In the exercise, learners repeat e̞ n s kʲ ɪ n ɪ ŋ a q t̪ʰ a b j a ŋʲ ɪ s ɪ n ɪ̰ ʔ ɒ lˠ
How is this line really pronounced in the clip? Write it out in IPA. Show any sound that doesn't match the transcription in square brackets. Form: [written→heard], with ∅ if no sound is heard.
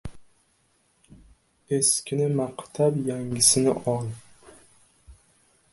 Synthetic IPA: e̞ [n→∅] s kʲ ɪ n ɪ [ŋ→m] a q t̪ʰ a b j a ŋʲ ɪ s ɪ n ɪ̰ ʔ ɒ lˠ